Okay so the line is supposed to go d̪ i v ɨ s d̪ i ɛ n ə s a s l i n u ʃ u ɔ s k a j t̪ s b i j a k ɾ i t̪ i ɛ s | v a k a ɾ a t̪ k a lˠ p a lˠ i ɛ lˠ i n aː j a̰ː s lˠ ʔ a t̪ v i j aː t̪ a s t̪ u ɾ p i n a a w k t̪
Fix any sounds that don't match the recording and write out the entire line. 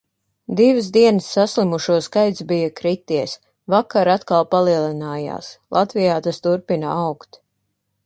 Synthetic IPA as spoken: d̪ i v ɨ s d̪ i ɛ n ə sː a s l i m u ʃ u ɔ s k a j t̪ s b i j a k ɾ i t̪ i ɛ s | v a k a ɾ a t̪ k a lˠ p a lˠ i ɛ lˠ i n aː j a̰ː s lˠ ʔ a t̪ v i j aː t̪ a s t̪ u ɾ p i n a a w k t̪